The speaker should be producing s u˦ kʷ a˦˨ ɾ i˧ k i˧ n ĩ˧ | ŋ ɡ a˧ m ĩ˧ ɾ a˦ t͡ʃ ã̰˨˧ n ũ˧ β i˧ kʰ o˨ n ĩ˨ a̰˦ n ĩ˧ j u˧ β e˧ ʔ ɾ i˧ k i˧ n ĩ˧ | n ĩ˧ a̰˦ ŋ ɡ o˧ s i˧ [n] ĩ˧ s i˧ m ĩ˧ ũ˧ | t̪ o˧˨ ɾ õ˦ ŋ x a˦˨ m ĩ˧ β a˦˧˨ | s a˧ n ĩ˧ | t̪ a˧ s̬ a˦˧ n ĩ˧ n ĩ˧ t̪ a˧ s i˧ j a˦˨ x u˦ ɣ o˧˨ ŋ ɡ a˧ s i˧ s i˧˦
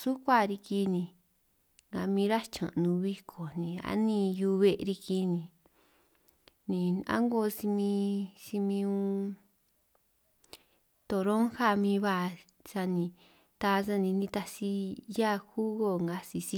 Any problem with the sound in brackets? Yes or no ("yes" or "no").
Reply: yes